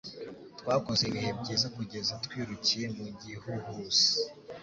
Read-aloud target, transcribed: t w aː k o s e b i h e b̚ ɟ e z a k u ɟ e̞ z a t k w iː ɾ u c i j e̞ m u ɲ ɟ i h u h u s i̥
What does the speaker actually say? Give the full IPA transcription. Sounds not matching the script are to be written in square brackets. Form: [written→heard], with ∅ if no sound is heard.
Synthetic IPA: t w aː k o [s→z] e [b→β] i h e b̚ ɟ e z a k u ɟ e̞ z a t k w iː ɾ u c i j e̞ m u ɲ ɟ i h u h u s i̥